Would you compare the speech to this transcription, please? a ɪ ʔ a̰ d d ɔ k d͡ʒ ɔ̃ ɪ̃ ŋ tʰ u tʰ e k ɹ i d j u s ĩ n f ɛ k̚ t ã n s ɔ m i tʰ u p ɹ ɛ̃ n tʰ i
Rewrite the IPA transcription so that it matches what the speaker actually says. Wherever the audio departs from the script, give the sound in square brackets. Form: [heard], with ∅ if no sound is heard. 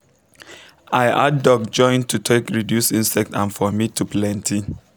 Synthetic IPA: a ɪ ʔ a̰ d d ɔ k d͡ʒ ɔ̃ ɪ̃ [n] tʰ u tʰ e k ɹ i d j u s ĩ n [s] ɛ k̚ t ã n [f] ɔ m i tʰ u p [l] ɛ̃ n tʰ i